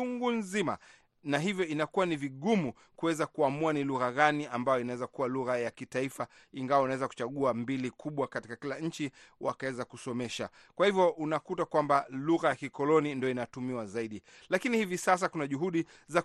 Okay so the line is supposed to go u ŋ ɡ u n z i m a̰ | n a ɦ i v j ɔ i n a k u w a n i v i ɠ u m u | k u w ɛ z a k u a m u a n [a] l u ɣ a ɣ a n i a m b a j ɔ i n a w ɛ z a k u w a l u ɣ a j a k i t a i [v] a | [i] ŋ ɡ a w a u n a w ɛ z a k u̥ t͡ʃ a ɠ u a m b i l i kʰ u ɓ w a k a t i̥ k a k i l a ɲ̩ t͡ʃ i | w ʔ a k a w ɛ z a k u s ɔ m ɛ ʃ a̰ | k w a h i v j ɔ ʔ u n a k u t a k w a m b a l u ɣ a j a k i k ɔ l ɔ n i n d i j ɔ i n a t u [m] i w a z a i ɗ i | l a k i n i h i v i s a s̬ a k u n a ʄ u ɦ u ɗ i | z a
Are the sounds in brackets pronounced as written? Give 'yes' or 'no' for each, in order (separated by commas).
no, no, yes, yes